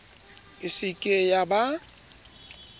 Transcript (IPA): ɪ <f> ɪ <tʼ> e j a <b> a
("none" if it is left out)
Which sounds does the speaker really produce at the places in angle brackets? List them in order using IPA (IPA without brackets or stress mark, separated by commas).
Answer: s, kʼ, b